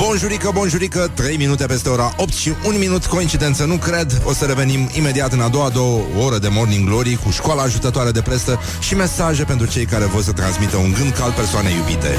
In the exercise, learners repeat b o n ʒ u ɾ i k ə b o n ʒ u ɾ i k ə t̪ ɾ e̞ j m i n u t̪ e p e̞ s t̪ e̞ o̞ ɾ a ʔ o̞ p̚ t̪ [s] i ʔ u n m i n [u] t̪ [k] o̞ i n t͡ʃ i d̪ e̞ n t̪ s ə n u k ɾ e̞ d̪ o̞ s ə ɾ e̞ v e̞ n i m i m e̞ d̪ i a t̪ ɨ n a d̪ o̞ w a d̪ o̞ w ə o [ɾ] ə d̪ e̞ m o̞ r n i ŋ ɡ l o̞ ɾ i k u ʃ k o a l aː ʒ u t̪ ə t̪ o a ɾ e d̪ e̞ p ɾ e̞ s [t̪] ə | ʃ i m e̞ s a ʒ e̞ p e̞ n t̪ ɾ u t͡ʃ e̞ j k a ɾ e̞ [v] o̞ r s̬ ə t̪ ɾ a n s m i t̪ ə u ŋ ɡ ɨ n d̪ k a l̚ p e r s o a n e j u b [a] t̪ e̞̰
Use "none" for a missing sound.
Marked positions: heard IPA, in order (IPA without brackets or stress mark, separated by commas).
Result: ʃ, u, k, ɾ, t̪, v, i